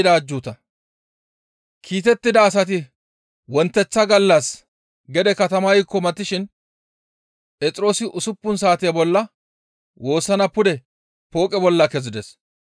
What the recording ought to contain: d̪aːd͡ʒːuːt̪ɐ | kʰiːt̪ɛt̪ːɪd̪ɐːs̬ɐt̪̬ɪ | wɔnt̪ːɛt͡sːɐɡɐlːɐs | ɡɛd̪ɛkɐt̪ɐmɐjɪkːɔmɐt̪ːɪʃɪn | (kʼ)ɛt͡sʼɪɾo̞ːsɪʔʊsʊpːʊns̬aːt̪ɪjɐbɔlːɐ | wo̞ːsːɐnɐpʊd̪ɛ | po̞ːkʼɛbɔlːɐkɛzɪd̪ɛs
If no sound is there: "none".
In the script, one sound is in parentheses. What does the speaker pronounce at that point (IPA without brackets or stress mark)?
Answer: pʼ